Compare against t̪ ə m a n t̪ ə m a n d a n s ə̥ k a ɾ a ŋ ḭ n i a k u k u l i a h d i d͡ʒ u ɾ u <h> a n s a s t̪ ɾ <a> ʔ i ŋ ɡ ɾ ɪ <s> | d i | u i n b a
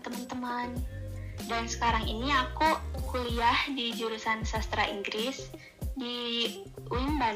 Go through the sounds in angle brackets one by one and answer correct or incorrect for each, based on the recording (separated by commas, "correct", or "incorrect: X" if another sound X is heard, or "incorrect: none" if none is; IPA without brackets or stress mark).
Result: incorrect: s, correct, correct